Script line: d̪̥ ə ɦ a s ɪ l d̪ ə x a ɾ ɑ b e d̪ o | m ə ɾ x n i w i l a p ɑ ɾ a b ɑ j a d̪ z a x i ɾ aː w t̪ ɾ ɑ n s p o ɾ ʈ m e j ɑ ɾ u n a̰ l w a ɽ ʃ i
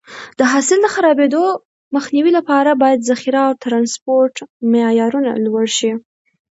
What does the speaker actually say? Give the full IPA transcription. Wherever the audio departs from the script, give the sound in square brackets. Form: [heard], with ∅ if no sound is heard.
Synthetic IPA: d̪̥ ə ɦ [ɑ] s ɪ l d̪ ə x a ɾ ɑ b e d̪ o | m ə [∅] x n i w i l a p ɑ ɾ a b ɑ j a d̪ z a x i ɾ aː w t̪ ɾ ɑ n s p o ɾ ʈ m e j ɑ ɾ u n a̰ l w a ɽ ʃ i